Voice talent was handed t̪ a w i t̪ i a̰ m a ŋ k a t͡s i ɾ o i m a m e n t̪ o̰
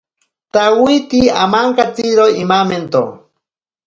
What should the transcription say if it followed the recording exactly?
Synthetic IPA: t̪ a w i t̪ i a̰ m a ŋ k a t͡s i ɾ o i m a m e n t̪ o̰